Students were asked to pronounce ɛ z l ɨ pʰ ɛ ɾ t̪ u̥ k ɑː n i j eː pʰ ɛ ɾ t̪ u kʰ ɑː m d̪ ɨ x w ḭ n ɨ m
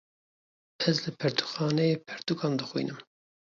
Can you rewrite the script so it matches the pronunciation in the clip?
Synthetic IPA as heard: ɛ z l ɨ pʰ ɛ ɾ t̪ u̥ x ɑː n ɛ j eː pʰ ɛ ɾ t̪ u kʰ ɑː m d̪ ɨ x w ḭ n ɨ m